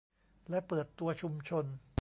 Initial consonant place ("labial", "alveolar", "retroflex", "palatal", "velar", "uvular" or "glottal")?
alveolar